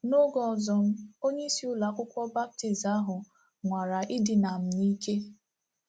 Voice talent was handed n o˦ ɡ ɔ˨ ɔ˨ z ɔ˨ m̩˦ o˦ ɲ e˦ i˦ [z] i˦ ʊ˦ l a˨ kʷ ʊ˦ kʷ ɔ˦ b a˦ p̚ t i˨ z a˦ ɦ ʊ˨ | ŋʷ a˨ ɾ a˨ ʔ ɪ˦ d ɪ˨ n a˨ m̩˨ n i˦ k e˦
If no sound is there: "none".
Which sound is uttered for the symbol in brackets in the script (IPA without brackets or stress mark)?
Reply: s